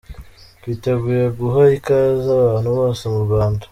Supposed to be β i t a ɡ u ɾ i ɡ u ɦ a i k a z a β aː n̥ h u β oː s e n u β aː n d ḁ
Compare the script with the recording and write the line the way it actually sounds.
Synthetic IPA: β i t e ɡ u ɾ e ɡ u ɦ a i k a z a β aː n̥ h u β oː s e m u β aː n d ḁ